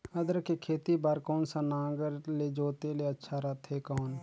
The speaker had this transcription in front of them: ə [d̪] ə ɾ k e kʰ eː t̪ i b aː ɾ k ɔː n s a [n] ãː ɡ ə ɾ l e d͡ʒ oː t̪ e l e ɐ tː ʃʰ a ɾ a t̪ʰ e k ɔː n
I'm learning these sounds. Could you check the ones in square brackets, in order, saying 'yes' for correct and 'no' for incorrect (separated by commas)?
yes, yes